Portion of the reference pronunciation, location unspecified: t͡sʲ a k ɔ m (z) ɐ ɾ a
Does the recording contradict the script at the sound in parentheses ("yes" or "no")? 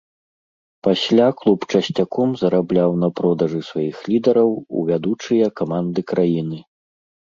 no